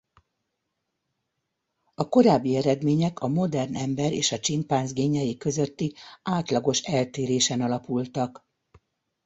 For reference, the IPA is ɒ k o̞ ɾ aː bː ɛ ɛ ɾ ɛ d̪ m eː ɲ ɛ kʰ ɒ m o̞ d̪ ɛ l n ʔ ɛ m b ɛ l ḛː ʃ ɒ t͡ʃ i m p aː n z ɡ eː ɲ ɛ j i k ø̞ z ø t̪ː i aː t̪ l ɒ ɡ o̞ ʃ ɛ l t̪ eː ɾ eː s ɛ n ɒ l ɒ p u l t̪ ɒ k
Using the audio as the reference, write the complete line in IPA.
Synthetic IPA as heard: ɒ k o̞ ɾ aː bː i ɛ ɾ ɛ d̪ m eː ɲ ɛ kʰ ɒ m o̞ d̪ ɛ r n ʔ ɛ m b ɛ ɾ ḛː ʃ ɒ t͡ʃ i m p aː n z ɡ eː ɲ ɛ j i k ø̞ z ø t̪ː i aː t̪ l ɒ ɡ o̞ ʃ ɛ l t̪ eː ɾ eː ʃ ɛ n ɒ l ɒ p u l t̪ ɒ k